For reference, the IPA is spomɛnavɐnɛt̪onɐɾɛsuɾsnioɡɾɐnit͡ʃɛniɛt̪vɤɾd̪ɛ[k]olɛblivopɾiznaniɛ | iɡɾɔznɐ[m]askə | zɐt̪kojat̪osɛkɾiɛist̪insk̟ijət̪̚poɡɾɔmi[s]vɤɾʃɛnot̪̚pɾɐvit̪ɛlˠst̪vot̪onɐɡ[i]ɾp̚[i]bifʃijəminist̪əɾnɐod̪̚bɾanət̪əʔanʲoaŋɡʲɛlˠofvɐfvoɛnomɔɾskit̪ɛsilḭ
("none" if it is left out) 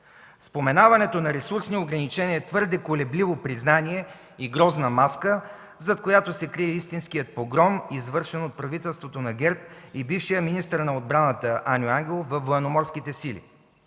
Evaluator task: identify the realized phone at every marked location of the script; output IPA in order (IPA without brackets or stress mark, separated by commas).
k, m, z, ɛ, i